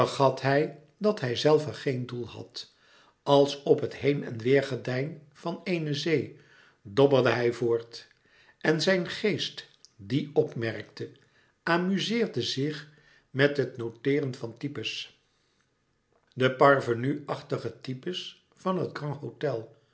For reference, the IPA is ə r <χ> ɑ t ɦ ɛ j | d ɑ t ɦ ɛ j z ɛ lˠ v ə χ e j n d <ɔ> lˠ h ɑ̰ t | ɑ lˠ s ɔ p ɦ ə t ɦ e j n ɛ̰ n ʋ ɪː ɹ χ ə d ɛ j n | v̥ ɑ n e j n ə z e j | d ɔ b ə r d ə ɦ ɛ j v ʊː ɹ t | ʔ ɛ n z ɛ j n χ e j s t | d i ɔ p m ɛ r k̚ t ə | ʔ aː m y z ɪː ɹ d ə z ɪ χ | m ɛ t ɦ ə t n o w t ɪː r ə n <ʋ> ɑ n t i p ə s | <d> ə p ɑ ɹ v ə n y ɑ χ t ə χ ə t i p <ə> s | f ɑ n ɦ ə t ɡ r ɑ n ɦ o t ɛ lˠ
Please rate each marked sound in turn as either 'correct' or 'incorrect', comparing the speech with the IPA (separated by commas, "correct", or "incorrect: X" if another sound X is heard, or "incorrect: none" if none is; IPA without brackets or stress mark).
correct, incorrect: u, incorrect: v, correct, correct